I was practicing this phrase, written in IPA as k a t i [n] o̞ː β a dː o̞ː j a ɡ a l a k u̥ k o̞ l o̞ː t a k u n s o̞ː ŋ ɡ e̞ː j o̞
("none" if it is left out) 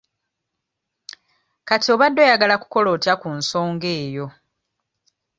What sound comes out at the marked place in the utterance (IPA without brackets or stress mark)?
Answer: none